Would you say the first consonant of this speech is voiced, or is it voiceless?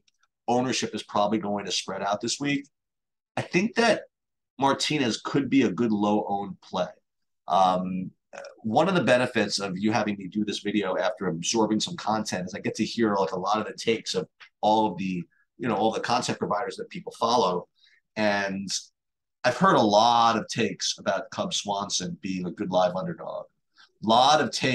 voiced